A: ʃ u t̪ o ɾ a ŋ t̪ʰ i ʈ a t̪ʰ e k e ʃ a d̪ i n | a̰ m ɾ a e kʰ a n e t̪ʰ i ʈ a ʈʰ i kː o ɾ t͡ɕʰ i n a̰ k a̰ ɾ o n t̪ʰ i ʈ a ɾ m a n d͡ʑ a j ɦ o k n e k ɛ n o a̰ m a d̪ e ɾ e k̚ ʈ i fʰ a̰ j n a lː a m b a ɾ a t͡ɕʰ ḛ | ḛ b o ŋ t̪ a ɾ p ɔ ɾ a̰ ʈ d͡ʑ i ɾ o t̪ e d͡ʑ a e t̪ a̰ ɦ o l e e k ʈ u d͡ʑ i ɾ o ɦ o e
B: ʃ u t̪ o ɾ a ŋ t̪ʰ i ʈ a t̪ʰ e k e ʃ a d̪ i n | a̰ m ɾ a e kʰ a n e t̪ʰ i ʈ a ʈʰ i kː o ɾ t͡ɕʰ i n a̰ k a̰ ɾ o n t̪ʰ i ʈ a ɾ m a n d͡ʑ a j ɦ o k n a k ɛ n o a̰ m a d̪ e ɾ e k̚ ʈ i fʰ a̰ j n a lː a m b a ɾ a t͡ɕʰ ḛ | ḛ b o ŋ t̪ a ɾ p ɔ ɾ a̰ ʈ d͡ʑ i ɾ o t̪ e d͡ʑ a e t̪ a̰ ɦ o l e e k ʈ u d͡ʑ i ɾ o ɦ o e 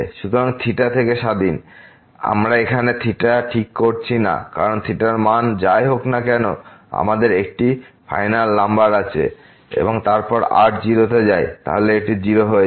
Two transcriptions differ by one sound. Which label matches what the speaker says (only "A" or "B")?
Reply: B